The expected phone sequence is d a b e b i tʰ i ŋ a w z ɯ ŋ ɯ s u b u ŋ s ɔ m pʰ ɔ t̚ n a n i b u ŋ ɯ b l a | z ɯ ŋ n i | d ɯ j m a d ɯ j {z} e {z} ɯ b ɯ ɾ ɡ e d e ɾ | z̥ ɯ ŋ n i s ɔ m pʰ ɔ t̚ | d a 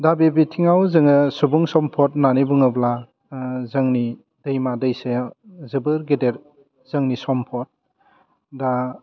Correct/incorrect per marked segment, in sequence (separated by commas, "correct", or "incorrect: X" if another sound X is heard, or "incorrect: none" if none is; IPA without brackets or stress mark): incorrect: s, correct